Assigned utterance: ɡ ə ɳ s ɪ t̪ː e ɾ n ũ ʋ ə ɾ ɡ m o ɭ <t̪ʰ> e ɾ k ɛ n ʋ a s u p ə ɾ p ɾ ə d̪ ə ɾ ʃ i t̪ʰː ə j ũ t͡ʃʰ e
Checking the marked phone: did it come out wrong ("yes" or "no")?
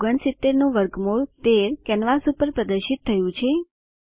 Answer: yes